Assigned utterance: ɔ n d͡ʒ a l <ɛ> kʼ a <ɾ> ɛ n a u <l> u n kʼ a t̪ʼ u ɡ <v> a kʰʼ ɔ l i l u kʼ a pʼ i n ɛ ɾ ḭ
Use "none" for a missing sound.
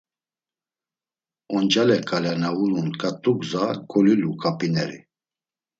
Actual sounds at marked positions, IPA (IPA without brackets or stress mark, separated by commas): ɛ, l, l, z